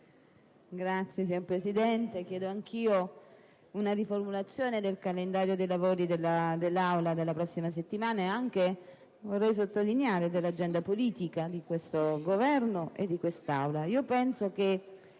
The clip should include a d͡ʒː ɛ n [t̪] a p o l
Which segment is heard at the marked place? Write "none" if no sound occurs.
d̪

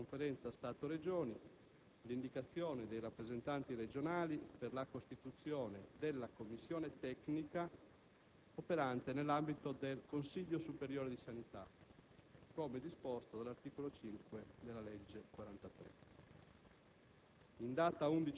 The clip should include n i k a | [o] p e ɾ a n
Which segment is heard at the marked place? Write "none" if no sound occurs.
o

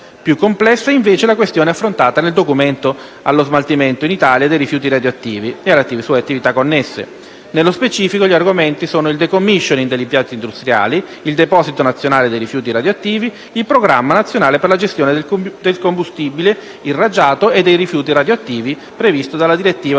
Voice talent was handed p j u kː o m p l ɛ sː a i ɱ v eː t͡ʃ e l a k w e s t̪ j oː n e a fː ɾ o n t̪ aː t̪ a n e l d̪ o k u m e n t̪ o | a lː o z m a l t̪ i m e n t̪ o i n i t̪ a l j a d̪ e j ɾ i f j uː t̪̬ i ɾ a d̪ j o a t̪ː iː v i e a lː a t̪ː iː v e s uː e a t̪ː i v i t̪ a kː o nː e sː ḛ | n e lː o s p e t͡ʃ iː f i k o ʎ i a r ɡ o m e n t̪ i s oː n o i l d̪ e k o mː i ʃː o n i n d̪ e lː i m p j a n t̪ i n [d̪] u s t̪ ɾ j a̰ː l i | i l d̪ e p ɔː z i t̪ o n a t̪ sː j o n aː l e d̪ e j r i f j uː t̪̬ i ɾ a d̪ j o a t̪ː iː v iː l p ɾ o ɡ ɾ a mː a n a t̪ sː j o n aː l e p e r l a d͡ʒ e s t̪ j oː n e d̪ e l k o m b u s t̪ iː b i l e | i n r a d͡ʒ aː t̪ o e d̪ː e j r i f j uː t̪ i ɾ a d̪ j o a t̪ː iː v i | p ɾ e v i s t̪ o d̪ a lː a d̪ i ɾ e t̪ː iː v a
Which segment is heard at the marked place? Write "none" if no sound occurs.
d̪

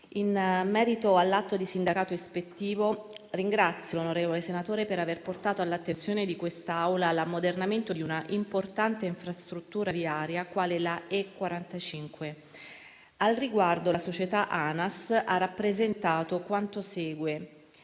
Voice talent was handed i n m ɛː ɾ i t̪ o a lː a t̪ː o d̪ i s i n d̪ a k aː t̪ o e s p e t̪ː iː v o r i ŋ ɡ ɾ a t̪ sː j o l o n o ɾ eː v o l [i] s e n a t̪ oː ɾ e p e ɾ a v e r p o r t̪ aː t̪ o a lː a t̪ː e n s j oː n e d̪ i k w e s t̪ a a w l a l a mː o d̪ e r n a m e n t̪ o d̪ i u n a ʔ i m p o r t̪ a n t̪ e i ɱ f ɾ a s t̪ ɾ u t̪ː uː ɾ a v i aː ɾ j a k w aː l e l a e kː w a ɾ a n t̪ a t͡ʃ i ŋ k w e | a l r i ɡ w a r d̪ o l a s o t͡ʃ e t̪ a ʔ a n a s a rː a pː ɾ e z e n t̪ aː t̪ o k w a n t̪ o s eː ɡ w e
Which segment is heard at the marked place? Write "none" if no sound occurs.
e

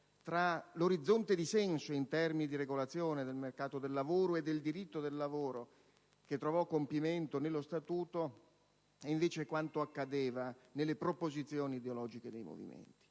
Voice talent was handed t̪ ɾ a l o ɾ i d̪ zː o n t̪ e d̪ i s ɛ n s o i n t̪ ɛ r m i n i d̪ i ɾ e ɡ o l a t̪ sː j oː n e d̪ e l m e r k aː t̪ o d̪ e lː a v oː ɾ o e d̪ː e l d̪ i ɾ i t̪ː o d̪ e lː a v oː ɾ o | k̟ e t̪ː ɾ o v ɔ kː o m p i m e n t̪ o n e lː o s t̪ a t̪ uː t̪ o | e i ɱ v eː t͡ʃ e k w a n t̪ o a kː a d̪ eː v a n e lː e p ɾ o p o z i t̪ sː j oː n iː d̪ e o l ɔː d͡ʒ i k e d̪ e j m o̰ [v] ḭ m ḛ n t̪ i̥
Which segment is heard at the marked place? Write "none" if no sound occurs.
v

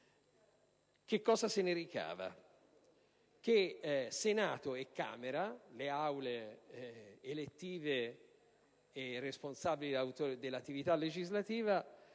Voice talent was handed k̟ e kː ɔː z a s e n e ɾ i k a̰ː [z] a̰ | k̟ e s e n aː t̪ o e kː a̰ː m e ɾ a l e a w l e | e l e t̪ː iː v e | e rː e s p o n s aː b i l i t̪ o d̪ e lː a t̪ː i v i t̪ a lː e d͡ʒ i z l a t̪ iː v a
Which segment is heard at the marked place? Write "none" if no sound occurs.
v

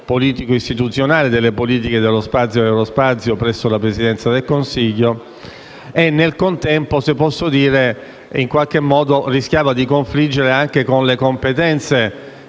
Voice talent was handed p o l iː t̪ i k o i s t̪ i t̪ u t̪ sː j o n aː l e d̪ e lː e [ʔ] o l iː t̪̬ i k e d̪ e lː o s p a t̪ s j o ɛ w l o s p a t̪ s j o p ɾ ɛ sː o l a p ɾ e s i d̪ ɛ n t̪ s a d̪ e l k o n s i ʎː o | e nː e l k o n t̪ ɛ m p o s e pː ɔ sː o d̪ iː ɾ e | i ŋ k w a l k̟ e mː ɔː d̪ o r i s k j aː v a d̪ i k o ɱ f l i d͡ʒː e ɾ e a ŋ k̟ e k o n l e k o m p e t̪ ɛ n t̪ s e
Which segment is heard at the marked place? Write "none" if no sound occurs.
p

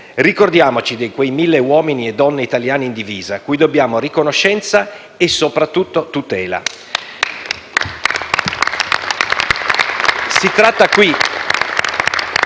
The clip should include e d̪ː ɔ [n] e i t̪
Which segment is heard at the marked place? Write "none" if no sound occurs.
nː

